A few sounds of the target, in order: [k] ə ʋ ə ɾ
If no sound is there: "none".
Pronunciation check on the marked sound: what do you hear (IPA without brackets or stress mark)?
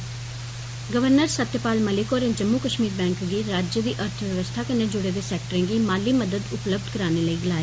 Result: ɡ